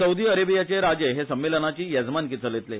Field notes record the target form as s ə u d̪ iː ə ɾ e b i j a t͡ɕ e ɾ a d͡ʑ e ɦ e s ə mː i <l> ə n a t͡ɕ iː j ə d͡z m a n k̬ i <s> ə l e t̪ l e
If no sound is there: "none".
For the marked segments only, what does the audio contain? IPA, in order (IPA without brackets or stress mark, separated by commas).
l, t͡s